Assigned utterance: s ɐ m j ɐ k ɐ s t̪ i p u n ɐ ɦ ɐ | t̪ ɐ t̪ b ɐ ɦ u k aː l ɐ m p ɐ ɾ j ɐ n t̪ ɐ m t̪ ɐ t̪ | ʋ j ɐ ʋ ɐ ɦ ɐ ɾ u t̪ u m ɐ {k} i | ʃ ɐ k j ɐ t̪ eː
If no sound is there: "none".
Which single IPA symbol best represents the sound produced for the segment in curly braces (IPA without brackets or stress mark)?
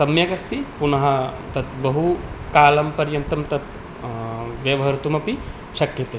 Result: p